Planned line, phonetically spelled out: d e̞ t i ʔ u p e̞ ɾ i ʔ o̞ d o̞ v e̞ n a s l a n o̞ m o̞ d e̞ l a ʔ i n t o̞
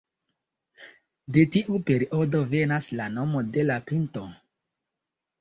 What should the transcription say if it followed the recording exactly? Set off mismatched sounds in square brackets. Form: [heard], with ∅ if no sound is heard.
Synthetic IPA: d e̞ t i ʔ u p e̞ ɾ i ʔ o̞ d o̞ v e̞ n a s l a n o̞ m o̞ d e̞ l a [p] i n t o̞